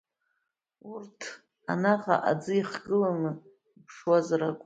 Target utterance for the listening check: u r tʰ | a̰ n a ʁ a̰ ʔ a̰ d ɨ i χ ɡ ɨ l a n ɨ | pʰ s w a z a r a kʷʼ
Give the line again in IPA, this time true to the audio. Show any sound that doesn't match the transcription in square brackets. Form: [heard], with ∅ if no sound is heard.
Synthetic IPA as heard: u r tʰ | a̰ n a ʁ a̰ ʔ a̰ [d͡z] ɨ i χ ɡ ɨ l a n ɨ | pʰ [ʂ] w a z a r a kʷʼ